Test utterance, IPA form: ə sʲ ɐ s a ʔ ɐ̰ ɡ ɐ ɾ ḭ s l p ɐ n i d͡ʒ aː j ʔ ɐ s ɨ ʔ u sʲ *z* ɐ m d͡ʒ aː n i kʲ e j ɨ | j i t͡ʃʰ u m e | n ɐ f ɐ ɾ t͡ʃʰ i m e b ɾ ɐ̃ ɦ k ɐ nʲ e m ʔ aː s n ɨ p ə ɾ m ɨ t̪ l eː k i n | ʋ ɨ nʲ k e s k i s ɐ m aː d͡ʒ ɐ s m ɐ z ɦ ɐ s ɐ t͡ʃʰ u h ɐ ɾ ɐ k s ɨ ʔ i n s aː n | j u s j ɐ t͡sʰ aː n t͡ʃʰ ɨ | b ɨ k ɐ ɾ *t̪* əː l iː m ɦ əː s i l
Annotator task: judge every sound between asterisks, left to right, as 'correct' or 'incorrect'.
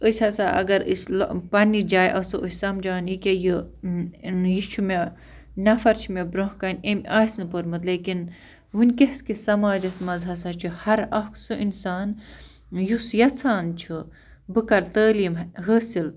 incorrect, correct

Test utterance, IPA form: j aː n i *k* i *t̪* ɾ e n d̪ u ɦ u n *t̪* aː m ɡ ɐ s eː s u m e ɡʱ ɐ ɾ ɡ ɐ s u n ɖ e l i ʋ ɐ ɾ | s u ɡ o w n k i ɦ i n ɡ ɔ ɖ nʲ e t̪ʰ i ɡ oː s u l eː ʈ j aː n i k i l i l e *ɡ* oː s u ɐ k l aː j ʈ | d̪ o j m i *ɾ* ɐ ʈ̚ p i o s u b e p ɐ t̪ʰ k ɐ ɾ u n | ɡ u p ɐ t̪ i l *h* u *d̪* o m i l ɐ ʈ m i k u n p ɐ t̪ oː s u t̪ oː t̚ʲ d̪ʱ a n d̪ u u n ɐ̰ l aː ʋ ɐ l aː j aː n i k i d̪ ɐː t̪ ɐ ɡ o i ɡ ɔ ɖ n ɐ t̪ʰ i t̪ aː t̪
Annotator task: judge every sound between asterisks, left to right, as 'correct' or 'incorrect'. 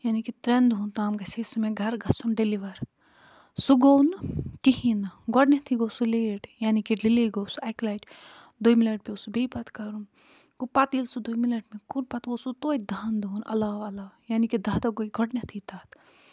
correct, correct, correct, correct, incorrect, incorrect, correct

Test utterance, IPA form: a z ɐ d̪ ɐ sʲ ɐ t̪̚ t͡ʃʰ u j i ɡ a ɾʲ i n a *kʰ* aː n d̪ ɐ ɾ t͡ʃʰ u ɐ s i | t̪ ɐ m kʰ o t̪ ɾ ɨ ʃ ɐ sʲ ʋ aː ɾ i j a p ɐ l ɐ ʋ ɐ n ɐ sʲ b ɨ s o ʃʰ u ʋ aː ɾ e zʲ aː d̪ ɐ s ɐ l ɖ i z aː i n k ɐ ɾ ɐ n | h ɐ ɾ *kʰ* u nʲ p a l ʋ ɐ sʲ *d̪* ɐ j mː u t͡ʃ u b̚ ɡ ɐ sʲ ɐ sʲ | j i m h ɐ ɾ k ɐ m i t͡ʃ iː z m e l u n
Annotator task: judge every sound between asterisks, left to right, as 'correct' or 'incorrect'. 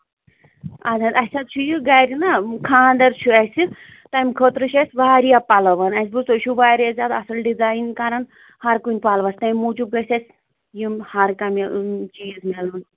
correct, incorrect, incorrect

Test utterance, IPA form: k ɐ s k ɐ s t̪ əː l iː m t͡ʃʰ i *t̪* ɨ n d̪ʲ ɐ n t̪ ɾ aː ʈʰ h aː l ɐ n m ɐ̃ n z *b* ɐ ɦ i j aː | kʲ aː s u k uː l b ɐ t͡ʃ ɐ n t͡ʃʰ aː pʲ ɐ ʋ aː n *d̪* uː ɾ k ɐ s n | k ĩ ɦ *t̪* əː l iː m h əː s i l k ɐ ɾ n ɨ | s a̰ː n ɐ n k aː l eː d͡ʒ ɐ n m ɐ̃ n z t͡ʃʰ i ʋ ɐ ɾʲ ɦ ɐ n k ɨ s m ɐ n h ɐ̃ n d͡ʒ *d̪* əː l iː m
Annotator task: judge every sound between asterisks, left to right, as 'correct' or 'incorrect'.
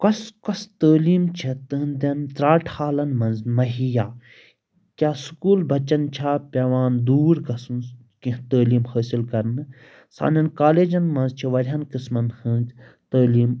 correct, incorrect, correct, correct, incorrect

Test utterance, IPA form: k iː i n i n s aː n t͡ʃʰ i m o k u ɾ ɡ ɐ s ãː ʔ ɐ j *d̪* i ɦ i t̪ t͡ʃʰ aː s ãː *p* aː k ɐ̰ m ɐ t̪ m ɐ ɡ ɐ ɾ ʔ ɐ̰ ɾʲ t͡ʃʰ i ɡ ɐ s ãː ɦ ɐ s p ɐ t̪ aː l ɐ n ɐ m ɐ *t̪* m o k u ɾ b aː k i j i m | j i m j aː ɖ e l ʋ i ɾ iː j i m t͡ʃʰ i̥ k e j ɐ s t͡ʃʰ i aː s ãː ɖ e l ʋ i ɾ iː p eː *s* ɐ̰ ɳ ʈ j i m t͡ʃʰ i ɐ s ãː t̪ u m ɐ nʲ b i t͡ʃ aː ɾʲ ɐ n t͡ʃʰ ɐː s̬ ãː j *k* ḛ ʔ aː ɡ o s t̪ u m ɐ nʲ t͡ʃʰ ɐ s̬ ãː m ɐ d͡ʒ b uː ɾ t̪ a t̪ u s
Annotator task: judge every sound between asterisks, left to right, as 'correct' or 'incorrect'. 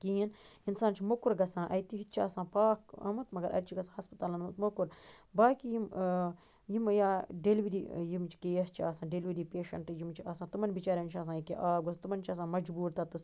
incorrect, correct, correct, incorrect, correct

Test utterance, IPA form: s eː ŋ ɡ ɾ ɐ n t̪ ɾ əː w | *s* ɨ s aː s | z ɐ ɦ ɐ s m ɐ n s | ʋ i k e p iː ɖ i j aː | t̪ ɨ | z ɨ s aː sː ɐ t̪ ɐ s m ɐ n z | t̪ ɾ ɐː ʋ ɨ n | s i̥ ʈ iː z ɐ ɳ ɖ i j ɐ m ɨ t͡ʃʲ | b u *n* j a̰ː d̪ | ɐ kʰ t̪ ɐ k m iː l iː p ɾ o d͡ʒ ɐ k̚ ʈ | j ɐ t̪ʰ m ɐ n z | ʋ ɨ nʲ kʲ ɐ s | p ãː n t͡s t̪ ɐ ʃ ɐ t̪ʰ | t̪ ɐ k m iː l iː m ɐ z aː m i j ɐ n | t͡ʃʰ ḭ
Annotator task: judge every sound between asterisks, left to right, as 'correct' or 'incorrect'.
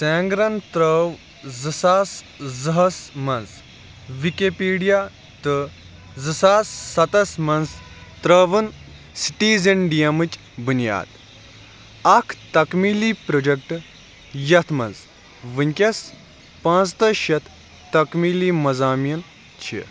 incorrect, correct

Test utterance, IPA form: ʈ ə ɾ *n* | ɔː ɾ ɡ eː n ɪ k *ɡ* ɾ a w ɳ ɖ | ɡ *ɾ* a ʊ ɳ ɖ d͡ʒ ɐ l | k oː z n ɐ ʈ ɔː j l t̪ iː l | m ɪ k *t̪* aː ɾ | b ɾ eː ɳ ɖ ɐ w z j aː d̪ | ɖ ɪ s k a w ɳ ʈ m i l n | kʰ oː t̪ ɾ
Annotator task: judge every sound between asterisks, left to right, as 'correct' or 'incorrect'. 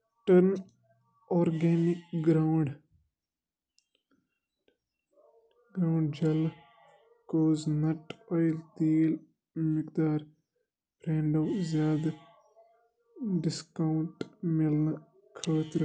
correct, correct, correct, incorrect

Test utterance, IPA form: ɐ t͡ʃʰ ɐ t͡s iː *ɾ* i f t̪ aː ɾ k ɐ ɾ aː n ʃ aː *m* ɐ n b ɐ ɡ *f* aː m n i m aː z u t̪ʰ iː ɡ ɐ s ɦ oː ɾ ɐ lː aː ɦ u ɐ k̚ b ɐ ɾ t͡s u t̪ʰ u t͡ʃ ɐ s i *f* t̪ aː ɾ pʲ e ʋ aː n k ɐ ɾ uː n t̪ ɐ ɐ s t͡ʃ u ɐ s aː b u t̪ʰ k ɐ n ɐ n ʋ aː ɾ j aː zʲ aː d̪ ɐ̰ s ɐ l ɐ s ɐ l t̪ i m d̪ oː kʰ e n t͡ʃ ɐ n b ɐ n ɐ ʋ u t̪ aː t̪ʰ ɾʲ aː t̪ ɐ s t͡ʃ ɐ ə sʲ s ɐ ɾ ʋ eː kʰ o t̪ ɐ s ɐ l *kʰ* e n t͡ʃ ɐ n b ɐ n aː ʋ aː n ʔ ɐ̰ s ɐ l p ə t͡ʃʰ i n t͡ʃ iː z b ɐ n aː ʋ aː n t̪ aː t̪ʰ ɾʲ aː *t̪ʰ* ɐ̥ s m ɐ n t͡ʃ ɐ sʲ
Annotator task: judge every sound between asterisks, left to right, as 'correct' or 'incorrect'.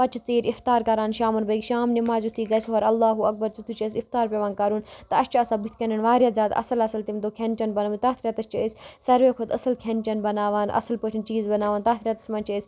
correct, correct, incorrect, correct, correct, incorrect

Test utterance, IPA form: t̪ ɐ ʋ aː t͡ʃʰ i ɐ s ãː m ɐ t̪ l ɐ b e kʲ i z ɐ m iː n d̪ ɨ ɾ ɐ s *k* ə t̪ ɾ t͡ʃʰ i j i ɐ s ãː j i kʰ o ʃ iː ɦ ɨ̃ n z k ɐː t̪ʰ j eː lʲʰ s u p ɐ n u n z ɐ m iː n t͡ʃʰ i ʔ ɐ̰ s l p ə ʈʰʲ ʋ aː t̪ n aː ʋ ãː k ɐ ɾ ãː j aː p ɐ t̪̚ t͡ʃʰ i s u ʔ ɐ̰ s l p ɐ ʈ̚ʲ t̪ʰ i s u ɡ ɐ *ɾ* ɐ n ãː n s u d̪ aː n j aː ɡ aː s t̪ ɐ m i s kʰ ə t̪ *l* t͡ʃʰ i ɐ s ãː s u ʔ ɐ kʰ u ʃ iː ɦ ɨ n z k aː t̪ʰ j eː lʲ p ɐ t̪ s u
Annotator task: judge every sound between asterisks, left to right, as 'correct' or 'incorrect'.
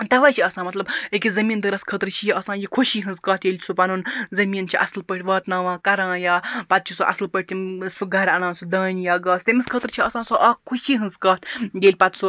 incorrect, correct, incorrect

